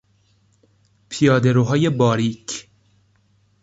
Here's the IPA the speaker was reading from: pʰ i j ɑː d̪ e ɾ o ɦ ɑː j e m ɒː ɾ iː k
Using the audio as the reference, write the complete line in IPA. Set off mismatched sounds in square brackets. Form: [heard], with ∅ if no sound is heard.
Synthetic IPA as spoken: pʰ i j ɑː d̪ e ɾ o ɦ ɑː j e [b] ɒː ɾ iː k